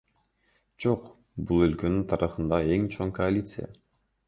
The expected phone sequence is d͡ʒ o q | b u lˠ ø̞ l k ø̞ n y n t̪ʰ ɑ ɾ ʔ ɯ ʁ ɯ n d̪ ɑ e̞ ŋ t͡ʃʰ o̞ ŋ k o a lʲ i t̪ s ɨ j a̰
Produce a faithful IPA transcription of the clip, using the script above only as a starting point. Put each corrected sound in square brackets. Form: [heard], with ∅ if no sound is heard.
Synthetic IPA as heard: d͡ʒ o q | b u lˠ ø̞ l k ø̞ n y n t̪ʰ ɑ ɾ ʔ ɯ [χ] ɯ n d̪ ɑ e̞ ŋ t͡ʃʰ o̞ ŋ k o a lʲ i t̪ s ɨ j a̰